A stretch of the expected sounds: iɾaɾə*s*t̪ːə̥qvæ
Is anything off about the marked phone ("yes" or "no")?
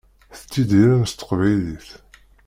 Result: no